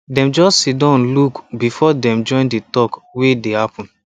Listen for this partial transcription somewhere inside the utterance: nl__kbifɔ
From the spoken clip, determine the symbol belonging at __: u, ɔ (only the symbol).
u